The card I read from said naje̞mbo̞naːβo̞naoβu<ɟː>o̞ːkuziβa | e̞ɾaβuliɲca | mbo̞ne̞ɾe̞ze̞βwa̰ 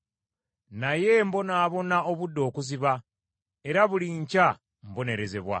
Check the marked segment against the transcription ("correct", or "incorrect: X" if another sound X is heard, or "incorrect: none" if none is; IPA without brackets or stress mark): incorrect: dː